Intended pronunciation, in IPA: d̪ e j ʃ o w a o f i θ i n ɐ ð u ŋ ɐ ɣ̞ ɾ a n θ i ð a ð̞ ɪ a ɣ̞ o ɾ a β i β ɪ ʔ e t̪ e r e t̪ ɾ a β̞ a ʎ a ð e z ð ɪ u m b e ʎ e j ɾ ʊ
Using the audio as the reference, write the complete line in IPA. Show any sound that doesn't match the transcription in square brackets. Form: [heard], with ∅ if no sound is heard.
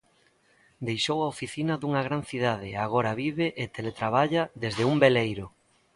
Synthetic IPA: d̪ e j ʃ o w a o f i θ i n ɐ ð u ŋ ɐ ɣ̞ ɾ a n θ i ð a ð̞ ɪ a ɣ̞ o ɾ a β i β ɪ ʔ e t̪ e [l] e t̪ ɾ a β̞ a ʎ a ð e z ð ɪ u m b e [l] e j ɾ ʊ